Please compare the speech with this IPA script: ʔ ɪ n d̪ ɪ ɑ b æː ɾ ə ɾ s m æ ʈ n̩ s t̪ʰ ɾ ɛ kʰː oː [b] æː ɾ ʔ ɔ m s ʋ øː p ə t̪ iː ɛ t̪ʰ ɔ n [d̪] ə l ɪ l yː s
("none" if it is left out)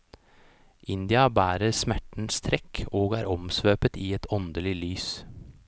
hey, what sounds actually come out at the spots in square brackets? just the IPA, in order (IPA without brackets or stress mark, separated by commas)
ɡ, d̪